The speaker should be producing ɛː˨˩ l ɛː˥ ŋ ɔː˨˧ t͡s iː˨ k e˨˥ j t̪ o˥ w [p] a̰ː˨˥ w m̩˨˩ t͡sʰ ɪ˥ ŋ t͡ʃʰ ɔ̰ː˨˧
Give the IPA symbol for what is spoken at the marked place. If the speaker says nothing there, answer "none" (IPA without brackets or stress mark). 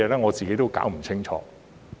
k